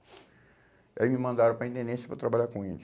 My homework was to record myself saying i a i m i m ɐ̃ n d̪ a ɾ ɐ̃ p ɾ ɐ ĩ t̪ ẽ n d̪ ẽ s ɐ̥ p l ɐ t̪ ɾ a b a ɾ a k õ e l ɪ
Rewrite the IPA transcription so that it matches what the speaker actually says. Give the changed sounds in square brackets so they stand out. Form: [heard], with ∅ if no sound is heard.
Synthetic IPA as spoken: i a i m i m ɐ̃ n d̪ a ɾ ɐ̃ p ɾ ɐ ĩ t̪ ẽ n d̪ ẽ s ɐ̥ p [ɾ] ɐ t̪ ɾ a b a [ʎ] a k õ e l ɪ